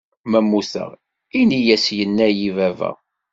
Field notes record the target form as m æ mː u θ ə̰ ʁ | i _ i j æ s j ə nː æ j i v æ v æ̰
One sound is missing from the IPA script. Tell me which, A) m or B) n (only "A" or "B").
B